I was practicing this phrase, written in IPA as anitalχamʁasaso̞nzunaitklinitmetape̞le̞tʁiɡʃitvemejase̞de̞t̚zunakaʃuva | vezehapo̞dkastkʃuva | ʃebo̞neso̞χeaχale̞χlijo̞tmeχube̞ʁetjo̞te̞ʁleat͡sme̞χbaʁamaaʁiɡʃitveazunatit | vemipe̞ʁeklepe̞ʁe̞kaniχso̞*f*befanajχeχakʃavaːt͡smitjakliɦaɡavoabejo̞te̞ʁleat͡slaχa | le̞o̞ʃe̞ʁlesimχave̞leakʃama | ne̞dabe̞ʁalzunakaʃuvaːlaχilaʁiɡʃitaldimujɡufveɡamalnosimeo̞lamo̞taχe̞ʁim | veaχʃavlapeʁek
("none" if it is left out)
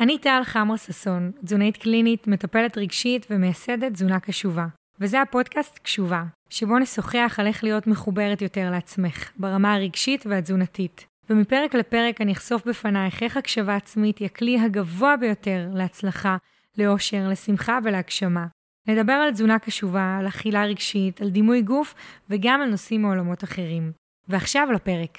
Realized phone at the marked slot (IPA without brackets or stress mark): f